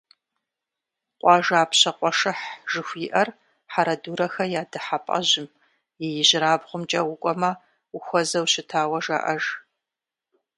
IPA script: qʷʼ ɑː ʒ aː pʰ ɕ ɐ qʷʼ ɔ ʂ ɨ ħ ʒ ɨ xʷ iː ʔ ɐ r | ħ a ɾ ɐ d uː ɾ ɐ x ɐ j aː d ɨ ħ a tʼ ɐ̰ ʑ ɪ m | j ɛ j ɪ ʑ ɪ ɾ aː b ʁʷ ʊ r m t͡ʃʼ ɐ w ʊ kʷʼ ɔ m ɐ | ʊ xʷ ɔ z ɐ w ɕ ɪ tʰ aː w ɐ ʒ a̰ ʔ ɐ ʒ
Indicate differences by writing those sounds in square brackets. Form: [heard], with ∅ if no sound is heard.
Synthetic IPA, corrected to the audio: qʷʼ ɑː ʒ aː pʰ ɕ ɐ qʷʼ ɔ ʂ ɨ ħ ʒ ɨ xʷ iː ʔ ɐ r | ħ a ɾ ɐ d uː ɾ ɐ x ɐ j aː d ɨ ħ a [pʼ] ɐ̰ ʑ ɪ m | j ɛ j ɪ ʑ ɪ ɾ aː b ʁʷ ʊ [∅] m t͡ʃʼ ɐ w ʊ kʷʼ ɔ m ɐ | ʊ xʷ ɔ z ɐ w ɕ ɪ tʰ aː w ɐ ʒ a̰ ʔ ɐ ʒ